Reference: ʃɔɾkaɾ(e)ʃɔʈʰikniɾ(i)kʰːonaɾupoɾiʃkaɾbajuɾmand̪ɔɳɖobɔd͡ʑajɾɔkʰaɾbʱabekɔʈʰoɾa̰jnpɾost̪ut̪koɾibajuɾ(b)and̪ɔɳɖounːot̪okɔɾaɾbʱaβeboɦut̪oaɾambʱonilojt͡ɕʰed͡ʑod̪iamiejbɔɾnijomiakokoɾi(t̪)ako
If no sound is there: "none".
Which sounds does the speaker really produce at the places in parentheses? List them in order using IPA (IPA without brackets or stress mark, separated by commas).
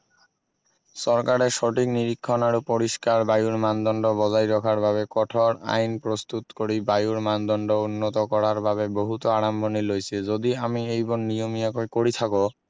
e, i, m, t̪ʰ